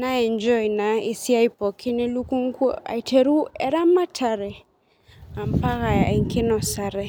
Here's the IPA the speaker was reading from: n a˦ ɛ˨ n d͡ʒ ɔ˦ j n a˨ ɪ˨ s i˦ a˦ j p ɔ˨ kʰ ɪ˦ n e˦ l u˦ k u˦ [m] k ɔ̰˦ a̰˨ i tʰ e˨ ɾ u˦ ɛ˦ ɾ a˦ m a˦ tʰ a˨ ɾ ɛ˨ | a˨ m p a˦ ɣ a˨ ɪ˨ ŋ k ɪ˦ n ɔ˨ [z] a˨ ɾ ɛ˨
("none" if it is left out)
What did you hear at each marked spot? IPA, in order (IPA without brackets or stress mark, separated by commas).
ŋ, s